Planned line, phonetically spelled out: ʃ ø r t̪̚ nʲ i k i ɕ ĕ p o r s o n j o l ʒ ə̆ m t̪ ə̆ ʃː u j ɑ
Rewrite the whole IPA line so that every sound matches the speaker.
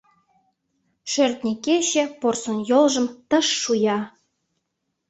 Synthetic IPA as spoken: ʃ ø r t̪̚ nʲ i k e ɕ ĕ p o r s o n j o l ʒ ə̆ m t̪ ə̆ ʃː u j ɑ